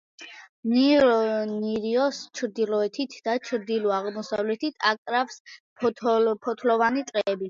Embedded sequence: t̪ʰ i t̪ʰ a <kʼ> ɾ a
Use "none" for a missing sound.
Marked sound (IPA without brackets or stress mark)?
kʼ